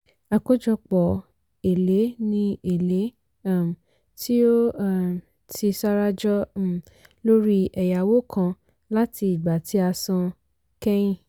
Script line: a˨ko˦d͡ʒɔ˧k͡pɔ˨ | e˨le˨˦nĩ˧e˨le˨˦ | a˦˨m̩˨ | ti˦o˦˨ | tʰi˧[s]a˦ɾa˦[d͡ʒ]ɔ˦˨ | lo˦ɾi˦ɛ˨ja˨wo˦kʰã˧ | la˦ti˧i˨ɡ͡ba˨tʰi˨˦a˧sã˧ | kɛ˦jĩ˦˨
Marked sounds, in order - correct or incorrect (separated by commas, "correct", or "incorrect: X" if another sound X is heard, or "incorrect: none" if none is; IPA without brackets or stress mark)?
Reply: correct, correct